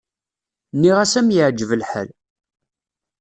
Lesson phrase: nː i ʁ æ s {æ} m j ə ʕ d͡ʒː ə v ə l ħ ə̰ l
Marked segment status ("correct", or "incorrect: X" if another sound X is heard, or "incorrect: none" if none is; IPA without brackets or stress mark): correct